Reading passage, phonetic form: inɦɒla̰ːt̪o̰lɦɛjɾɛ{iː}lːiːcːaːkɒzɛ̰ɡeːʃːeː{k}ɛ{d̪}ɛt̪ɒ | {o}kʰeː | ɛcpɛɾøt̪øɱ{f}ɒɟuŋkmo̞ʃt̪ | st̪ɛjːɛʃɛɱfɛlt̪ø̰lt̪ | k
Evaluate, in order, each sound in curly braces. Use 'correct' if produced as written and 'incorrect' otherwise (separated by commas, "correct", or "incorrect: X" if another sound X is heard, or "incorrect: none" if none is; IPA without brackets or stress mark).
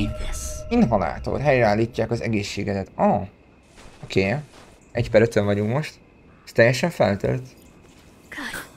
incorrect: aː, incorrect: ɡ, correct, correct, incorrect: v